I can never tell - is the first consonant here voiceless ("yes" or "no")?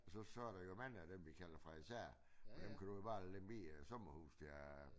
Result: yes